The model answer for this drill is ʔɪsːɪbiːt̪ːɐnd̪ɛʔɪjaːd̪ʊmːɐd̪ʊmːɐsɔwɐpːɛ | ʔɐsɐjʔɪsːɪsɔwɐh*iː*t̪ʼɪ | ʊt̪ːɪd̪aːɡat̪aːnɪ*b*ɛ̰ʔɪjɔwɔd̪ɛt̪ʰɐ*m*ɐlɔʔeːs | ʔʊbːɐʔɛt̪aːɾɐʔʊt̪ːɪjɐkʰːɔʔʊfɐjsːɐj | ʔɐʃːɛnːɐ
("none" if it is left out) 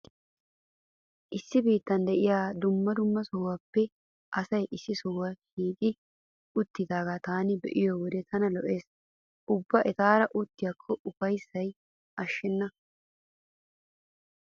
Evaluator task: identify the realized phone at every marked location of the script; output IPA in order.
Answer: iː, b, n

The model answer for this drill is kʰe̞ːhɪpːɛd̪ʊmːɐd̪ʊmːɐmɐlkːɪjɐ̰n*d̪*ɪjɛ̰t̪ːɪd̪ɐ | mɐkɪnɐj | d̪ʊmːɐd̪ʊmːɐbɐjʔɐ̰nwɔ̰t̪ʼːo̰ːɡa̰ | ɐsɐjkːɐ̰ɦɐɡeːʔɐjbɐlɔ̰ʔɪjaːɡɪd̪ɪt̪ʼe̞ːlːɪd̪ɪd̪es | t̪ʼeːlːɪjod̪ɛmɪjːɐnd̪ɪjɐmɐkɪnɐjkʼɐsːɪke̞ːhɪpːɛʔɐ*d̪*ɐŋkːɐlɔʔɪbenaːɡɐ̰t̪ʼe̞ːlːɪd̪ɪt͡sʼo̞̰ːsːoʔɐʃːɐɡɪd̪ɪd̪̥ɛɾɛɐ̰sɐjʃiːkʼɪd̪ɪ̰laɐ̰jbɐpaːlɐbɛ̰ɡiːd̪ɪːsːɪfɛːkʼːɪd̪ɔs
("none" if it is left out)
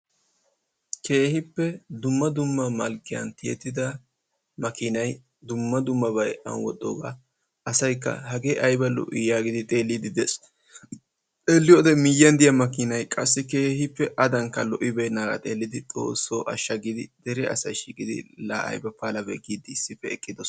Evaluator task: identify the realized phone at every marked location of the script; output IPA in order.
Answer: t̪, d̪

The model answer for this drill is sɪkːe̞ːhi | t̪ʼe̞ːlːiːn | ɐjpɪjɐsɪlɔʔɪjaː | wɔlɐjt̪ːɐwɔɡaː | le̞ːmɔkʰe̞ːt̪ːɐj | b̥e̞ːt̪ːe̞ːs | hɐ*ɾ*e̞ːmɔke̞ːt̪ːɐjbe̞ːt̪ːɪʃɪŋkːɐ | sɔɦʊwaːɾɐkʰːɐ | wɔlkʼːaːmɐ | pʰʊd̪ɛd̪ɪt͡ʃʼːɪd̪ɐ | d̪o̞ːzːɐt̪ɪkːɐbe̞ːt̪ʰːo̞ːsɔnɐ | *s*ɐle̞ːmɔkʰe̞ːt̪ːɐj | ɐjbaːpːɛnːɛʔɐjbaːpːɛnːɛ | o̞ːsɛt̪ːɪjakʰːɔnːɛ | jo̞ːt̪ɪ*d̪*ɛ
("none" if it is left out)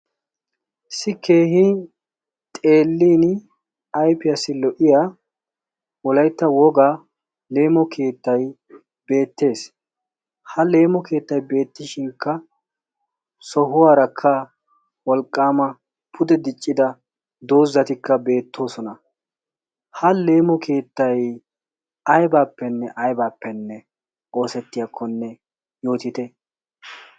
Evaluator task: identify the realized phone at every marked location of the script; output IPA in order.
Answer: l, h, t̪

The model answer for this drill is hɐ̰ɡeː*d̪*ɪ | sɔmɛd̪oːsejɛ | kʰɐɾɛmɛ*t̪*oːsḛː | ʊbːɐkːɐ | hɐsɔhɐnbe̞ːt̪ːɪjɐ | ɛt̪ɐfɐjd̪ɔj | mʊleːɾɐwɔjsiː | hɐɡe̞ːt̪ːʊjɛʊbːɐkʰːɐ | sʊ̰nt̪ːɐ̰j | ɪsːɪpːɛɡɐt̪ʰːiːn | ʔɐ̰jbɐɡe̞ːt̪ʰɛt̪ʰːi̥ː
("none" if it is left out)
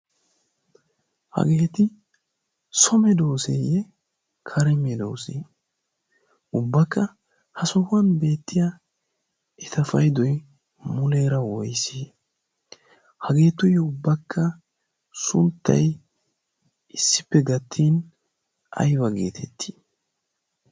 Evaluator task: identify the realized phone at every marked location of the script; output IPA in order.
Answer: t̪, d̪

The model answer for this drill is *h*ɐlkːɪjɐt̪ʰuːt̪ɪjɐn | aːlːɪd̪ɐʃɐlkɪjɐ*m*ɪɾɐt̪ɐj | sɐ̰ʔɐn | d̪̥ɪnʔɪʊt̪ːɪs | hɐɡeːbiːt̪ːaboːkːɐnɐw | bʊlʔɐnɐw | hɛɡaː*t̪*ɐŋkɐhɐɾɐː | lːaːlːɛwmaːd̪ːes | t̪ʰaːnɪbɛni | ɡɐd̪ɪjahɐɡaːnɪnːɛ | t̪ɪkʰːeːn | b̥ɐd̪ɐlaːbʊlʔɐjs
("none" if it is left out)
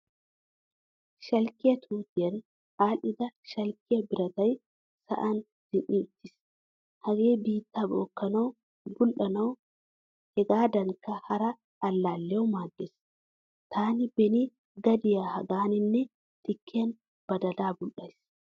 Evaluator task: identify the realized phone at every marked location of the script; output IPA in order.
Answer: ʃ, b, d̪

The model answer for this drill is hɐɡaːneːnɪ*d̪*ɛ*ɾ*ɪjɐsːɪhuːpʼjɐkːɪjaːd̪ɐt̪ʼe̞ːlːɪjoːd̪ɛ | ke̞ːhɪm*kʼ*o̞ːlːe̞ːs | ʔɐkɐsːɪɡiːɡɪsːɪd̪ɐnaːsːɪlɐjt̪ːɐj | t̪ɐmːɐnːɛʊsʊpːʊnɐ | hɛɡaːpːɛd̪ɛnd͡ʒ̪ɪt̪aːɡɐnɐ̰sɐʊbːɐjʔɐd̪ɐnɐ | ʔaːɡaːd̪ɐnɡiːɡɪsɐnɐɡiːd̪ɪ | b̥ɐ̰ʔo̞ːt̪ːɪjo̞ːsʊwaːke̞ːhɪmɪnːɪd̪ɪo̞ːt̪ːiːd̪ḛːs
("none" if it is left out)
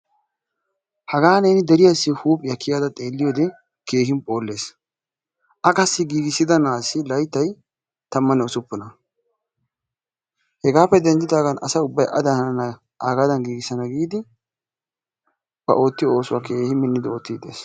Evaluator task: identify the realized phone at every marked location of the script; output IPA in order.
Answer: d̪, ɾ, pʼ

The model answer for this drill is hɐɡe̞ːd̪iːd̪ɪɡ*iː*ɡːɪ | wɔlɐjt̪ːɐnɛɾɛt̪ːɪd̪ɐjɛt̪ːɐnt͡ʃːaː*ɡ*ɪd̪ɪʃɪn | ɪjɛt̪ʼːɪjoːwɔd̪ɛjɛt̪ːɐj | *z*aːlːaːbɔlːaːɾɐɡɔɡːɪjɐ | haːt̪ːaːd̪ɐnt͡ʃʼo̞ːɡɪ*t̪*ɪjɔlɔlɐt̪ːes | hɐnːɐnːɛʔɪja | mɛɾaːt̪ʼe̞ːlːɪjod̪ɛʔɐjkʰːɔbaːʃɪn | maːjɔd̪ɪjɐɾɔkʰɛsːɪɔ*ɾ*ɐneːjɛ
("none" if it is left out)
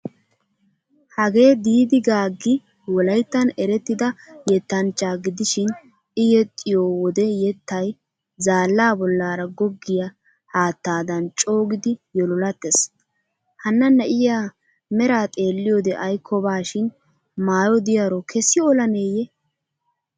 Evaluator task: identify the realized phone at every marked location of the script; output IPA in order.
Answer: aː, ɡ, z, d̪, l

